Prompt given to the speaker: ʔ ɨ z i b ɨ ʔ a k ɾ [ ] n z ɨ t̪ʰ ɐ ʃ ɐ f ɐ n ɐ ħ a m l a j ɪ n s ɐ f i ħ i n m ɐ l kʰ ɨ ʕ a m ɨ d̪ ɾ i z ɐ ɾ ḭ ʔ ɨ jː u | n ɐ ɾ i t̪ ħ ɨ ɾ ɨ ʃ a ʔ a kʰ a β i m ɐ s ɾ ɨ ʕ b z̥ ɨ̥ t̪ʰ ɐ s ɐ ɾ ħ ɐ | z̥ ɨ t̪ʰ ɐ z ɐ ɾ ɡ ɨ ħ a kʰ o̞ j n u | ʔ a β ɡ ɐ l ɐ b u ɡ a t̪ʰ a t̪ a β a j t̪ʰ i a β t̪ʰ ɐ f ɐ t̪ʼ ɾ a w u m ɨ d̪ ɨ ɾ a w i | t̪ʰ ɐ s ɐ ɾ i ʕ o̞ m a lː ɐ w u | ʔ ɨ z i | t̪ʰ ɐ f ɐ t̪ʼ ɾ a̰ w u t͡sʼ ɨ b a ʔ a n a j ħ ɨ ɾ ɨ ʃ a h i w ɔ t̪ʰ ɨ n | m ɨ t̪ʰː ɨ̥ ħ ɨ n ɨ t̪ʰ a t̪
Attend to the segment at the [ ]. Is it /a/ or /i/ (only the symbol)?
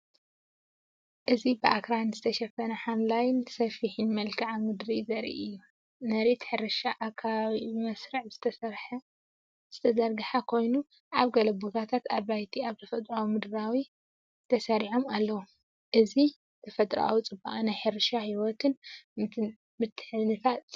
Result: a